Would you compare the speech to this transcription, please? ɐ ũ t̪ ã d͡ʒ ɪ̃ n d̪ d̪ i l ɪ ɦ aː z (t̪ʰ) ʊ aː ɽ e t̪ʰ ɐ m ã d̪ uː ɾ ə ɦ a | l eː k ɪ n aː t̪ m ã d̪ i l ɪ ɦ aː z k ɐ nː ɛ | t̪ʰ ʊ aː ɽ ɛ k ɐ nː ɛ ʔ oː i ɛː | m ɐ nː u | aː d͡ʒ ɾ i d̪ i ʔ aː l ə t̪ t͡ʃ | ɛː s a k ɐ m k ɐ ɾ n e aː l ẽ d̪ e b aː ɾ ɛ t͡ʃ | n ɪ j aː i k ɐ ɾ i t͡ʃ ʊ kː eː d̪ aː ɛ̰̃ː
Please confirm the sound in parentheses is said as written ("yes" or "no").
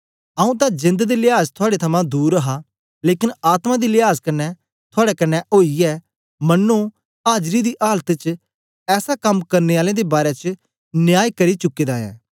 yes